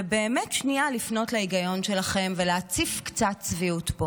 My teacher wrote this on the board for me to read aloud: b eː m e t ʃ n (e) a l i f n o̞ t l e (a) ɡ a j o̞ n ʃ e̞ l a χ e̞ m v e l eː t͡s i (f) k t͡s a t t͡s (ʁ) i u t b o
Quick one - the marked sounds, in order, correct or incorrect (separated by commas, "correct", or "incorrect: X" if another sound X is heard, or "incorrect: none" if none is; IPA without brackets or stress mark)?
incorrect: i, incorrect: i, correct, incorrect: v